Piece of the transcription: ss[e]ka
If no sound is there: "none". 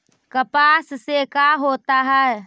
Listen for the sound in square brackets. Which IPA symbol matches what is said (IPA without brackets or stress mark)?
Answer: e